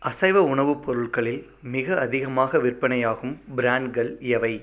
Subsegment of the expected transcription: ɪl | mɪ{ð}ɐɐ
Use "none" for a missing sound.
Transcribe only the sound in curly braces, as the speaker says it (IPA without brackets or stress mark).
ɣ